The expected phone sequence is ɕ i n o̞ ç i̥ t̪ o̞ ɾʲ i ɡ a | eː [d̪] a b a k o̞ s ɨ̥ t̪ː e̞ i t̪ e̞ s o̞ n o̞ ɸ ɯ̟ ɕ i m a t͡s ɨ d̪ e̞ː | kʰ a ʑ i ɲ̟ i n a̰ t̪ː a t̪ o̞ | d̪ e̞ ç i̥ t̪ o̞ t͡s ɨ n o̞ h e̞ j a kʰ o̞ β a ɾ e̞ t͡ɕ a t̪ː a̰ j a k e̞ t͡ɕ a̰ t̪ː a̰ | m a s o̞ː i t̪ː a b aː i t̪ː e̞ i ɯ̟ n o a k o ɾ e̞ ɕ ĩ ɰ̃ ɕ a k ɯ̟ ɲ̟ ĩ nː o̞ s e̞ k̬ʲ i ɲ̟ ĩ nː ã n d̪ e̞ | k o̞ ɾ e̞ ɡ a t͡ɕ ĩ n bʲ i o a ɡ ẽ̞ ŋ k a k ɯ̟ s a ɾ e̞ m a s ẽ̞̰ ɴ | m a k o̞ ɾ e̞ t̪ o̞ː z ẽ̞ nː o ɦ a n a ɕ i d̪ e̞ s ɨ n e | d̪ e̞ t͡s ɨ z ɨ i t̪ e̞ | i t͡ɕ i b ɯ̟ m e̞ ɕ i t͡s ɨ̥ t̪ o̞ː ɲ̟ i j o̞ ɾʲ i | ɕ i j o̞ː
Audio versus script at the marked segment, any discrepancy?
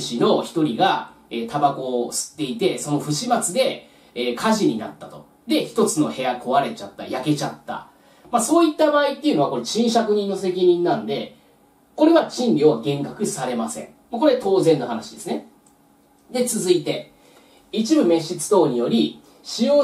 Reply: yes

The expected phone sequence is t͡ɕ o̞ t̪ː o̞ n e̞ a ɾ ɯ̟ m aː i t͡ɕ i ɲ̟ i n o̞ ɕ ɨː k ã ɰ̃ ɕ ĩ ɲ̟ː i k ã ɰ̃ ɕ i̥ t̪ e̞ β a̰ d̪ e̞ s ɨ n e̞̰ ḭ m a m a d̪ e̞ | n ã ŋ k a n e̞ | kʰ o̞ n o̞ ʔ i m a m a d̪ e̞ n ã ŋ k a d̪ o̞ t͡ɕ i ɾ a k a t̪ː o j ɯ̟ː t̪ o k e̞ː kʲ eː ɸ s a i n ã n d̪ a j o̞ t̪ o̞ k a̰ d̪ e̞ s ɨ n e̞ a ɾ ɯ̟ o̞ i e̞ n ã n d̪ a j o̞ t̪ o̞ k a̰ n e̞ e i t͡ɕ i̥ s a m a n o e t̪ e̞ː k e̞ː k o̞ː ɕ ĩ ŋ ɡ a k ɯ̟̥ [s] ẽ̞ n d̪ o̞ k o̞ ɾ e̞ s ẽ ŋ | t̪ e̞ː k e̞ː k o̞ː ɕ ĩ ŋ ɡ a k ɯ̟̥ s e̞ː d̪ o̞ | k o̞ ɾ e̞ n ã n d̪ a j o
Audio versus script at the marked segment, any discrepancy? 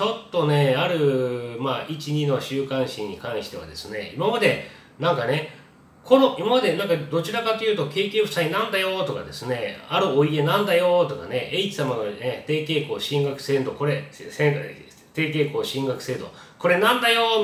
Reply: no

